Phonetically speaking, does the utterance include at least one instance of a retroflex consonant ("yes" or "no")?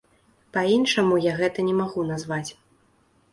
yes